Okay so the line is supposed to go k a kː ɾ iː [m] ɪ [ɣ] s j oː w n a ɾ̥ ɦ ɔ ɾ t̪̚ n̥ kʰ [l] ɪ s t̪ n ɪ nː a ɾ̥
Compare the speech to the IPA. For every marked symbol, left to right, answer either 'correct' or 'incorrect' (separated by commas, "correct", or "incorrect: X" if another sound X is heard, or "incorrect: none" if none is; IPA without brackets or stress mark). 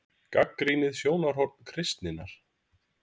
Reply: incorrect: n, incorrect: ð, incorrect: ɾ